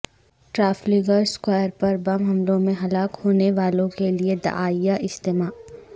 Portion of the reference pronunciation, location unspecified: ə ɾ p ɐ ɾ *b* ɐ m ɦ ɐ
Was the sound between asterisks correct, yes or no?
yes